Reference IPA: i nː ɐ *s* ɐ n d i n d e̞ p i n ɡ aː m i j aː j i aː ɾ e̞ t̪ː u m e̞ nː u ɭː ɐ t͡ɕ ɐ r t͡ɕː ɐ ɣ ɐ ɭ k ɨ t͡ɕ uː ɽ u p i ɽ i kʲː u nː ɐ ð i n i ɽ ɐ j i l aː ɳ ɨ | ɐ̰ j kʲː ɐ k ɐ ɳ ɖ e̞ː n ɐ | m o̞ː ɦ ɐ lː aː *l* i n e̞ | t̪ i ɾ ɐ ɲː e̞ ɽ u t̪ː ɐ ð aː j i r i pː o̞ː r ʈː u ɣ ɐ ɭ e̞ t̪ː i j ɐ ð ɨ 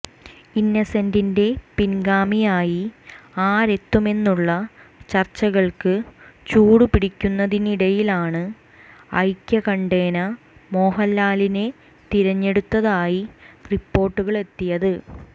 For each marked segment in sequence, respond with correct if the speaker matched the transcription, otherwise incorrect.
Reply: correct, correct

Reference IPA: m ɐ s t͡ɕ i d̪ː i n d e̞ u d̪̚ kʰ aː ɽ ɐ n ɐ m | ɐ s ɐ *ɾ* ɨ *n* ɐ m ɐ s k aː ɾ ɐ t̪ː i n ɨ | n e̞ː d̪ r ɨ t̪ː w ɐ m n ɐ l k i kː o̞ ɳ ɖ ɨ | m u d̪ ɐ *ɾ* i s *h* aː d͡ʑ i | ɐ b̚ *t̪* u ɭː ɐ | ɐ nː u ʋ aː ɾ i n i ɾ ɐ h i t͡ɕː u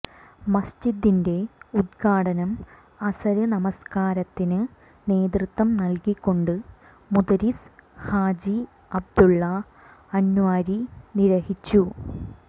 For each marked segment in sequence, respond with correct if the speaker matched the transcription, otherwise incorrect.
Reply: correct, correct, correct, correct, incorrect

